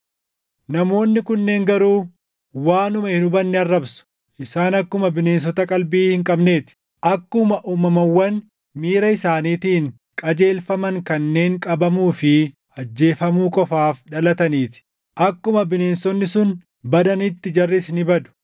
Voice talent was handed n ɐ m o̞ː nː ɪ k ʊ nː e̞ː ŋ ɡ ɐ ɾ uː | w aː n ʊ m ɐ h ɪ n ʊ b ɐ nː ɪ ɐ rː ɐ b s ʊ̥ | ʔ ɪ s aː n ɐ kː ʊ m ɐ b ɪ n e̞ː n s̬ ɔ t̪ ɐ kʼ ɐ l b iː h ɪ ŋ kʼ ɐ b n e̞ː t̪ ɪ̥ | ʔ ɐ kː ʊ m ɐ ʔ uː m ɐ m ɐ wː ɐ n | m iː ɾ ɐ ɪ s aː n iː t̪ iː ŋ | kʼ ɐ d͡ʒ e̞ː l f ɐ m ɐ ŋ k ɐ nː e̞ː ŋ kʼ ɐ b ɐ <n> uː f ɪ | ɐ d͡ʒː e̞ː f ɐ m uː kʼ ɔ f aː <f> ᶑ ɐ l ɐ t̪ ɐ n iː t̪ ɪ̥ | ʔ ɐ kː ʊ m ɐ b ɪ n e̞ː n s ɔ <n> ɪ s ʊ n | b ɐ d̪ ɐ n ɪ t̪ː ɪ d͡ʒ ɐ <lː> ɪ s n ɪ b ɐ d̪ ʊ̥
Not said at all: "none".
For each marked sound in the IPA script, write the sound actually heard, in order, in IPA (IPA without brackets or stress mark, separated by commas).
m, f, nː, rː